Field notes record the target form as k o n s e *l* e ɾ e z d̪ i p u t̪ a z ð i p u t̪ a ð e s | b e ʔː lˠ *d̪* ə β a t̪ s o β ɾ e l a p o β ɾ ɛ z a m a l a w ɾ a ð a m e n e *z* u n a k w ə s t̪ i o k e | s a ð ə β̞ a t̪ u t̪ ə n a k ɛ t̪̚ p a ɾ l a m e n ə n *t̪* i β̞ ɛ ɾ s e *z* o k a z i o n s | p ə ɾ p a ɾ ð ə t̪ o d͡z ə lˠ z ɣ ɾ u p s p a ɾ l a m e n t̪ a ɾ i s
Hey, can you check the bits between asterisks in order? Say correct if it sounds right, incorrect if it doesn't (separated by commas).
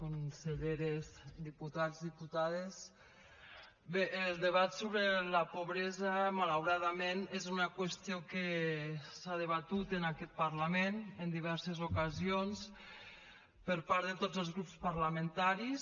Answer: incorrect, correct, correct, incorrect, correct